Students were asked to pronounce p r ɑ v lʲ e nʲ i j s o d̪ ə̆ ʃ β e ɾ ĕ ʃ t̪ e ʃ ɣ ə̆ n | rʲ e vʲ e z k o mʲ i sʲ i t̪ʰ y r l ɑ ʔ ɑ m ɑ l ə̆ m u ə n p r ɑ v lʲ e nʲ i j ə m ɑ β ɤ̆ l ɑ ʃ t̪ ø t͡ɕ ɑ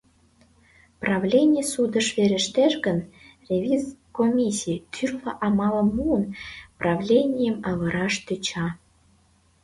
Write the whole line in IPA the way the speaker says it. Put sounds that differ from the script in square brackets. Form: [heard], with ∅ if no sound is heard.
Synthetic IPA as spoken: p r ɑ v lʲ e nʲ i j s [u] d̪ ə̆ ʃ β e ɾ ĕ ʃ t̪ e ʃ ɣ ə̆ n | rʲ e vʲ [i] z k o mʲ i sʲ i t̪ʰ y r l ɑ ʔ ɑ m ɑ l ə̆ m u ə n p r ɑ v lʲ e nʲ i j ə m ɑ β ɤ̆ [ɾ] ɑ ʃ t̪ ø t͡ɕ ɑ

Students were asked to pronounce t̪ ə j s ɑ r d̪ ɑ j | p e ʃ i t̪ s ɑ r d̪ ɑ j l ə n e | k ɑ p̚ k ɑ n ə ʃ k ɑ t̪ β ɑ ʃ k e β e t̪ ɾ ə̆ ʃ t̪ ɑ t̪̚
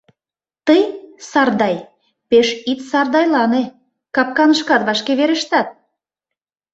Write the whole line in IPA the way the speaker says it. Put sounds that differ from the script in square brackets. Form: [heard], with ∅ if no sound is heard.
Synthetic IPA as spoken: t̪ ə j s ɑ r d̪ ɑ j | p e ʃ i t̪ s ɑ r d̪ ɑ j l [ɑ] n e | k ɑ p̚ k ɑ n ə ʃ k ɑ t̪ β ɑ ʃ k e β e [∅] ɾ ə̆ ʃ t̪ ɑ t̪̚

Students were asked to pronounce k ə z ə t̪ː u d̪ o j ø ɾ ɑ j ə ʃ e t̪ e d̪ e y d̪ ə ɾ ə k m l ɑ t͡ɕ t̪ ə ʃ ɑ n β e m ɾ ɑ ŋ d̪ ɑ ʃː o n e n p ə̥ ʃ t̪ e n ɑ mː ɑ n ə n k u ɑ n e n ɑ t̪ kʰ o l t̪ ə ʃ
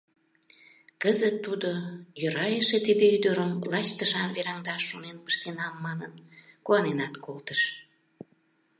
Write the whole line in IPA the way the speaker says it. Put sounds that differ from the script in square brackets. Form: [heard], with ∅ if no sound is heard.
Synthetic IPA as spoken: k ə z ə t̪ː u d̪ o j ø ɾ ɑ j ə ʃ e t̪ [i] d̪ e y d̪ ə ɾ ə [∅] m l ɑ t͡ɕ t̪ ə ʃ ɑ n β e [∅] ɾ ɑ ŋ d̪ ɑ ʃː o n e n p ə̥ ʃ t̪ e n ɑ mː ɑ n ə n k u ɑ n e n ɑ t̪ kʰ o l t̪ ə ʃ

